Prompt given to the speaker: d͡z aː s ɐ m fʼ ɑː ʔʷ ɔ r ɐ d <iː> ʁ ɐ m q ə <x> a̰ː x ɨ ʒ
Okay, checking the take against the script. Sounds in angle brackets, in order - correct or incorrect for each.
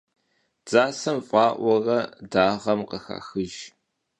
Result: incorrect, correct

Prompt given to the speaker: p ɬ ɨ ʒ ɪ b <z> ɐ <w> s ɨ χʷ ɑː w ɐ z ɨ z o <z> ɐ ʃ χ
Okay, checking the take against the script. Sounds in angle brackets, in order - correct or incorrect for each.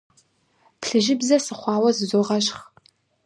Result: correct, incorrect, incorrect

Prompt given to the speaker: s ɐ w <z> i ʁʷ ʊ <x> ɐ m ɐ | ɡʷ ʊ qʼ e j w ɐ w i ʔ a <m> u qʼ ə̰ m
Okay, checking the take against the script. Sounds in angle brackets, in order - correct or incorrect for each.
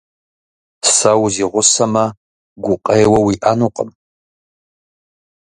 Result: correct, incorrect, incorrect

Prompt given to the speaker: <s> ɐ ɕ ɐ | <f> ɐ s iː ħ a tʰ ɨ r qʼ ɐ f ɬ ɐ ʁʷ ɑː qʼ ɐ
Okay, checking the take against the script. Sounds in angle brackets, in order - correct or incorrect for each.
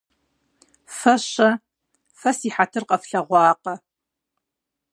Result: incorrect, correct

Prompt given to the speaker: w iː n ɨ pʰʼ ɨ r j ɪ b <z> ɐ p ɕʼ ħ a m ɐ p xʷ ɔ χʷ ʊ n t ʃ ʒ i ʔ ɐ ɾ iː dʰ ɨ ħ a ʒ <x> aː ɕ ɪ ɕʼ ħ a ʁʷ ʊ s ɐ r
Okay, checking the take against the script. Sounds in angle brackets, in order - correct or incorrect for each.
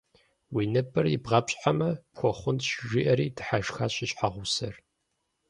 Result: incorrect, correct

